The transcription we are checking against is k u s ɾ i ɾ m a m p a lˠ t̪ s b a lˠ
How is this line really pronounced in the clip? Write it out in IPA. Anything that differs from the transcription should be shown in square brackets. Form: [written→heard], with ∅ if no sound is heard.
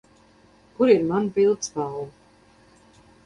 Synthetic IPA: k u [s→∅] ɾ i ɾ m a [m→n] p [a→i] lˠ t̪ s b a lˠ

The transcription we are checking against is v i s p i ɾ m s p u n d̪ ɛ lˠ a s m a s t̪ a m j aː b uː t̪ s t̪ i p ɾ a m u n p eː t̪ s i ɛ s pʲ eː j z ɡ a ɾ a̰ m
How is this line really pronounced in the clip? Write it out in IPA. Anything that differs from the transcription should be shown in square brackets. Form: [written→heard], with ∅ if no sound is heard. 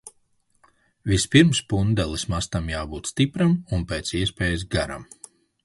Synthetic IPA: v i s p i ɾ m s p u n d̪ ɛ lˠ [a→i] s m a s t̪ a m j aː b uː t̪ s t̪ i p ɾ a m u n p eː t̪ s i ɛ s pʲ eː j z ɡ a ɾ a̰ m

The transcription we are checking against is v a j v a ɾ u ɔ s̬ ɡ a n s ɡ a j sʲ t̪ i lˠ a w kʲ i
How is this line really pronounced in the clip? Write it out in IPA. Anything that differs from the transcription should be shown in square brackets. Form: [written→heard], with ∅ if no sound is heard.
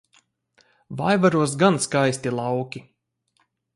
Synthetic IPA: v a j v a ɾ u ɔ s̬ ɡ a n s [ɡ→k] a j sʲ t̪ i lˠ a w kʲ i

